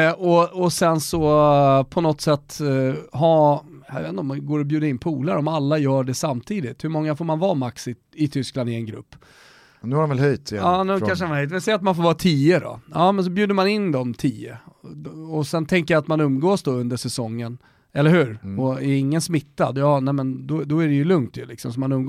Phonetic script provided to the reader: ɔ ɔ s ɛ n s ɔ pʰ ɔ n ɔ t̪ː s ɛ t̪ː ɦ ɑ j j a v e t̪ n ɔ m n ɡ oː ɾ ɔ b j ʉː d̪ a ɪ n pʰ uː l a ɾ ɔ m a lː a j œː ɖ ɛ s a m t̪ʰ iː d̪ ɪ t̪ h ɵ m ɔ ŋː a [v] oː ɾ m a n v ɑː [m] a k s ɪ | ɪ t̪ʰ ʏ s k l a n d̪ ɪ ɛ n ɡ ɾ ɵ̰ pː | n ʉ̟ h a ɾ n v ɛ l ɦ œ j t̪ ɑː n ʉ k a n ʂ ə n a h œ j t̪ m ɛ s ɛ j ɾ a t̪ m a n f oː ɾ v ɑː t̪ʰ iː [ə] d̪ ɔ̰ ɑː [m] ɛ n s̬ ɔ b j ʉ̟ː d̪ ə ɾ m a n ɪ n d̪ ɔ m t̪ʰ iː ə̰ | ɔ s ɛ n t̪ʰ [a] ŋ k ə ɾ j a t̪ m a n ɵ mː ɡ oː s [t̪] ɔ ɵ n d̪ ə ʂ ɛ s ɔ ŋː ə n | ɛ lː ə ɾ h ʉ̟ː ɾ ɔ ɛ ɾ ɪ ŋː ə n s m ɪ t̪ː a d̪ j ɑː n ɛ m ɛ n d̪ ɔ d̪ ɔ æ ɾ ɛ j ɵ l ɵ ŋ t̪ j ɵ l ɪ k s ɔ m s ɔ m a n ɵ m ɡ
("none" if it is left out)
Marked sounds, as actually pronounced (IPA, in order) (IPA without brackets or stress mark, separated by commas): f, m, ə, m, ɛ, d̪